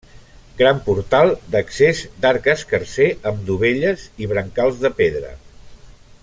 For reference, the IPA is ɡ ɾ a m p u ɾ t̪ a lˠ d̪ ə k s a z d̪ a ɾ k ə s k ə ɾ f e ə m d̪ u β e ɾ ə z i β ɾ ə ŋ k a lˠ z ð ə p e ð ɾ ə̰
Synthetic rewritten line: ɡ ɾ a m p u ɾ t̪ a lˠ d̪ ə k s e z d̪ a ɾ k ə s k ə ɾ s e ə m d̪ u β e ʎ ə z i β ɾ ə ŋ k a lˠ z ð ə p e ð ɾ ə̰